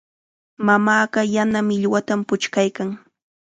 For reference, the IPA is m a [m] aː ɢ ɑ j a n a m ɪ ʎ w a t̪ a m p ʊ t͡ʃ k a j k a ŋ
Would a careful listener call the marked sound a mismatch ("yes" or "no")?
no